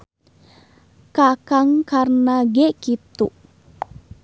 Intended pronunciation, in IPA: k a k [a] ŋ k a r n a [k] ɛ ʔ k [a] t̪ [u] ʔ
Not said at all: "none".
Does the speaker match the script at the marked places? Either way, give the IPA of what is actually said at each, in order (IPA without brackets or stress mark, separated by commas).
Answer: a, ɡ, i, u